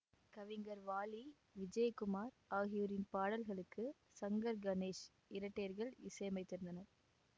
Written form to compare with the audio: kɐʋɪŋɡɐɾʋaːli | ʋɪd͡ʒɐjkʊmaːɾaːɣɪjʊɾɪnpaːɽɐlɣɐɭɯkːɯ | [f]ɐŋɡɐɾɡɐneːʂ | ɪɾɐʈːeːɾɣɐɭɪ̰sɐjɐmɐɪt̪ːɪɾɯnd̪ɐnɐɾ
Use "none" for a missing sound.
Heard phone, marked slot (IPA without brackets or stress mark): s